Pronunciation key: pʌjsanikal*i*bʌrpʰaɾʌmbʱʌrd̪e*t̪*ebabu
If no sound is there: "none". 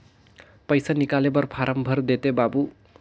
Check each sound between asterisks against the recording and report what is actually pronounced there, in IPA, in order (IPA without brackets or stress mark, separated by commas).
e, t̪